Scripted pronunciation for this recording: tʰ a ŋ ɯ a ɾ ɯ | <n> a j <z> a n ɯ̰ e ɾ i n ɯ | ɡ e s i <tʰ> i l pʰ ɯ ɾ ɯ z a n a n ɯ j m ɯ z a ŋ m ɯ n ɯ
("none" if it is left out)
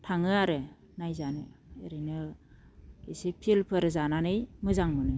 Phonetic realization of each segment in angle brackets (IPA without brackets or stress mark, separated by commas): n, z, pʰ